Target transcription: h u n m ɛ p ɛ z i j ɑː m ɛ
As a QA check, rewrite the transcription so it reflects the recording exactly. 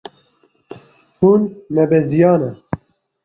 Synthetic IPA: h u n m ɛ b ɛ z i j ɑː n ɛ